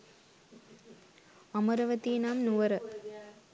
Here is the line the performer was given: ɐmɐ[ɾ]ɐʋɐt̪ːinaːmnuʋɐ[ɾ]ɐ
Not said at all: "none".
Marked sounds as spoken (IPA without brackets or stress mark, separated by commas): ɾ, ɾ